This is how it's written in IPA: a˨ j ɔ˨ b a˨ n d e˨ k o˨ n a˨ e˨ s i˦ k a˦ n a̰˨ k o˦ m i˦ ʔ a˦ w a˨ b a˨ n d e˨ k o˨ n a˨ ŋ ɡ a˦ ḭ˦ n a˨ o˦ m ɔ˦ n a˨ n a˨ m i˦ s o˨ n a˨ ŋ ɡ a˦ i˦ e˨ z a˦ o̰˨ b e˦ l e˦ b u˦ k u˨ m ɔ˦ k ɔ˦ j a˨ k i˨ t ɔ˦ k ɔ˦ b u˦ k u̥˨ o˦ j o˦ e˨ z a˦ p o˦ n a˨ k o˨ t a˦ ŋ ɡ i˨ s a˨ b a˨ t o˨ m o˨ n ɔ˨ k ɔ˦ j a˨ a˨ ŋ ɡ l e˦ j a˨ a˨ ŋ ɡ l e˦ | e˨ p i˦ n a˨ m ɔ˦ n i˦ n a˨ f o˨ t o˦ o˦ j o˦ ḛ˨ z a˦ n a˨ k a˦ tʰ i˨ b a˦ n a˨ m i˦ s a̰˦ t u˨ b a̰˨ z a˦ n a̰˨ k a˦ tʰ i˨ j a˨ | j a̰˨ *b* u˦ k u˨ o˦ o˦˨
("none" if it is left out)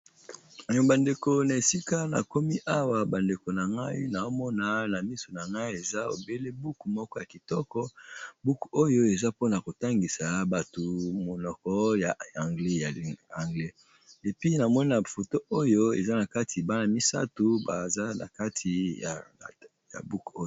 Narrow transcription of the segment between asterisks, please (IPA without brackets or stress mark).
b